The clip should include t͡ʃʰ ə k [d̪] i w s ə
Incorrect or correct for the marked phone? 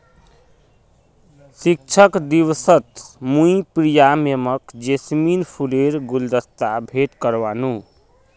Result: correct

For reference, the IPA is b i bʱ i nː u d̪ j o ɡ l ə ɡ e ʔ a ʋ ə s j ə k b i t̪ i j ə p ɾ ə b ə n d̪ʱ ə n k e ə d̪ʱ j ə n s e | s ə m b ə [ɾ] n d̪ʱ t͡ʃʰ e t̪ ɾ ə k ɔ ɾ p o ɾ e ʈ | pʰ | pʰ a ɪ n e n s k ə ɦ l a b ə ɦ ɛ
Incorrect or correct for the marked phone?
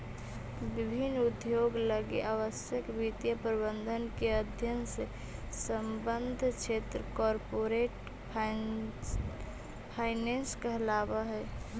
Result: incorrect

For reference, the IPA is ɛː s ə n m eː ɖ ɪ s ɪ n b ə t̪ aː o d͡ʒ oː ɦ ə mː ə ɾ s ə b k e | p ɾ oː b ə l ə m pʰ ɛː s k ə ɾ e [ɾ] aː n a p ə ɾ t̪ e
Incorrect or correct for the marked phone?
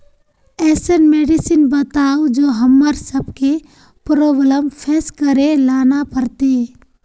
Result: incorrect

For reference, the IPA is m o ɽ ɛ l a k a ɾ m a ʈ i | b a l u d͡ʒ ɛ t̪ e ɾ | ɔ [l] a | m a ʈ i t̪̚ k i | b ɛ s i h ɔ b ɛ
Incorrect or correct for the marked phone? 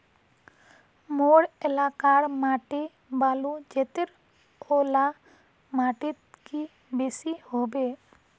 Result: correct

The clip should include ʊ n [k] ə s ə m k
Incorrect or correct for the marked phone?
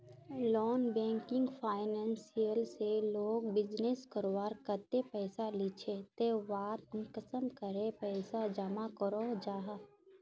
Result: correct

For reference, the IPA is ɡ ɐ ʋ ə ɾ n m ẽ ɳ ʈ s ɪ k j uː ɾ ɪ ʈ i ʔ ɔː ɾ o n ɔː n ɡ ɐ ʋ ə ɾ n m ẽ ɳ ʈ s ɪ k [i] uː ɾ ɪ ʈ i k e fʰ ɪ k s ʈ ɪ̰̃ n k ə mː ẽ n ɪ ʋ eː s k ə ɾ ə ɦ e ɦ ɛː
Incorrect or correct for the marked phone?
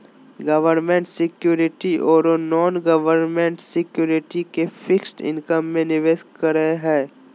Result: incorrect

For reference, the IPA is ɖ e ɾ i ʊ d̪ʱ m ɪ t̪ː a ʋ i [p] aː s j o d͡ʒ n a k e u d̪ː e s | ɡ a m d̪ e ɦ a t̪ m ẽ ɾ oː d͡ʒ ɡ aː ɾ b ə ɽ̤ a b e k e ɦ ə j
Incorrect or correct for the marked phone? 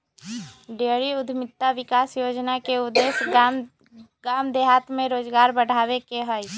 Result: incorrect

